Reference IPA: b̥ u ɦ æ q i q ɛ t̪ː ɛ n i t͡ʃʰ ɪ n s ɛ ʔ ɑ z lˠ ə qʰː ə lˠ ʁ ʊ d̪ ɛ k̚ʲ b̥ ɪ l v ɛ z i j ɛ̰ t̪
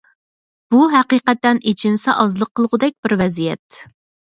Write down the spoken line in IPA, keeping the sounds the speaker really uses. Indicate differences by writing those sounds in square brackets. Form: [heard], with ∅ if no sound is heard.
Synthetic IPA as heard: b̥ u ɦ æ q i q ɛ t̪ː ɛ n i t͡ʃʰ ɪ n s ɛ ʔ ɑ z lˠ ə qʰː ə lˠ ʁ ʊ d̪ ɛ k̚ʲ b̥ ɪ [ɾ] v ɛ z i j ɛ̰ t̪